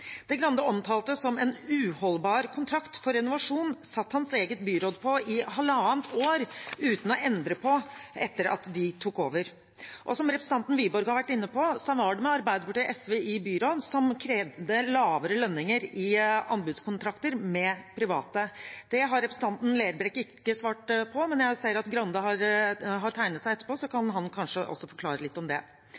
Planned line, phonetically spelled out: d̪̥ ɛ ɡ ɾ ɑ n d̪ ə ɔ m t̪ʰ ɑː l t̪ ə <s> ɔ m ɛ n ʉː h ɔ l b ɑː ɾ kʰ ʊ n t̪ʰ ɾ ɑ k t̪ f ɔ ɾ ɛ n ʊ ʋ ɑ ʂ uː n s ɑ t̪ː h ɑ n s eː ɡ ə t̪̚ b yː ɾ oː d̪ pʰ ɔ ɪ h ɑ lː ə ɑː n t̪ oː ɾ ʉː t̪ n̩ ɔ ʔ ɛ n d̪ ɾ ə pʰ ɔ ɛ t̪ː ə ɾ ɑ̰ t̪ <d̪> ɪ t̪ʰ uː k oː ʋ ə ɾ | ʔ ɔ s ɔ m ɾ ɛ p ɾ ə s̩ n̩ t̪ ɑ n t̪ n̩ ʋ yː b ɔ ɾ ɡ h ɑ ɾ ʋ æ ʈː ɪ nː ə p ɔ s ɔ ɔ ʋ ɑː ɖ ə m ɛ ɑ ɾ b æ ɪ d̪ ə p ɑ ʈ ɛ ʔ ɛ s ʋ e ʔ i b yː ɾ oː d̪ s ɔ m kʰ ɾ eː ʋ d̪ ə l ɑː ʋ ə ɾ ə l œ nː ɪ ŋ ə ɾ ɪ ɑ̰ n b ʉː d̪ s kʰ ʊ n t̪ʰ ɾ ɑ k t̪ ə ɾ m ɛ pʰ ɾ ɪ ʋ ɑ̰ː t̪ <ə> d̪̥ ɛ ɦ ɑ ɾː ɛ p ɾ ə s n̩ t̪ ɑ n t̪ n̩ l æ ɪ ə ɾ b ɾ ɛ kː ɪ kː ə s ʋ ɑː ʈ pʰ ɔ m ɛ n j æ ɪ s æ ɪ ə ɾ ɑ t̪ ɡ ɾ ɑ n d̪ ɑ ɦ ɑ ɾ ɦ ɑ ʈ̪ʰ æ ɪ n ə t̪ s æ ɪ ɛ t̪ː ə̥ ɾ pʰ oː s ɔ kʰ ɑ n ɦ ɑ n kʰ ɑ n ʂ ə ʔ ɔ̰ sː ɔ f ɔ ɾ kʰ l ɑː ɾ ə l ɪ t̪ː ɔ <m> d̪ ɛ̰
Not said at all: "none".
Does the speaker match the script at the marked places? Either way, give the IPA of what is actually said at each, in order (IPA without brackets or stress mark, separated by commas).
s, d̪, ə, m